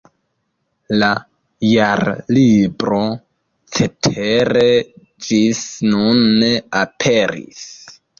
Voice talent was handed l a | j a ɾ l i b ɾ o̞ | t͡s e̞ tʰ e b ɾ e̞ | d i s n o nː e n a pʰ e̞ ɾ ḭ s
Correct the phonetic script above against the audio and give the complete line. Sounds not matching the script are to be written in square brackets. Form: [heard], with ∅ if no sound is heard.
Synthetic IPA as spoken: l a | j a ɾ l i b ɾ o̞ | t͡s e̞ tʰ e [∅] ɾ e̞ | [d͡ʒ] i s n [u] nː e [∅] a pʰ e̞ ɾ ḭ s